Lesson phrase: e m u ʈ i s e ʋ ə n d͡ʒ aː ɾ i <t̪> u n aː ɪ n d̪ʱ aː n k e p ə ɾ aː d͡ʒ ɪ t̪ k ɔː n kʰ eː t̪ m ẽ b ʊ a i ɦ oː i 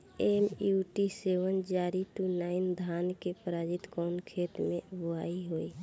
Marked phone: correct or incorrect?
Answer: correct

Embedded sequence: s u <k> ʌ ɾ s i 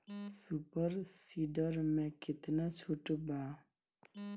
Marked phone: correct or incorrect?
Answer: incorrect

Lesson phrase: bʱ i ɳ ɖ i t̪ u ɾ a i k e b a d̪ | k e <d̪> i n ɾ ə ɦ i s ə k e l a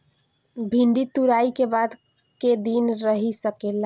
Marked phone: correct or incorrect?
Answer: correct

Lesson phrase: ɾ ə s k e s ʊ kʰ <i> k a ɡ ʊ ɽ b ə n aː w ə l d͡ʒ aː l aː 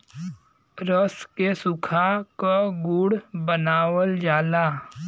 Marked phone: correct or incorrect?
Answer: incorrect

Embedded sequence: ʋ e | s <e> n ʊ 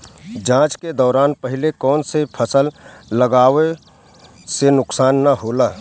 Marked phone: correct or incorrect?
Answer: correct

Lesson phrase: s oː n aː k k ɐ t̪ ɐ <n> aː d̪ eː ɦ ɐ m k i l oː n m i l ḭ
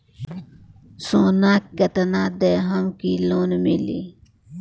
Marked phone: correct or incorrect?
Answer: correct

